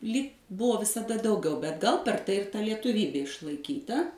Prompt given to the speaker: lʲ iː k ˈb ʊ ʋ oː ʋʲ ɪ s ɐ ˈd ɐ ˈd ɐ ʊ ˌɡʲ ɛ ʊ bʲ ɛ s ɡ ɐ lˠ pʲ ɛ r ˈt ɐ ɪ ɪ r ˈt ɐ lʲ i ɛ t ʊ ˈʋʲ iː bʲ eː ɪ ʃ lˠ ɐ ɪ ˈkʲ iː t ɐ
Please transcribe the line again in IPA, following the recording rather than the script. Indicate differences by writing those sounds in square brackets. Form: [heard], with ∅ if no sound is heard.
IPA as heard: lʲ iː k ˈb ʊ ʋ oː ʋʲ ɪ s ɐ ˈd ɐ ˈd ɐ ʊ ˌɡʲ ɛ ʊ bʲ ɛ [t] ɡ ɐ lˠ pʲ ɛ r ˈt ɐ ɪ ɪ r ˈt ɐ lʲ i ɛ t ʊ ˈʋʲ iː bʲ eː ɪ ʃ lˠ ɐ ɪ ˈkʲ iː t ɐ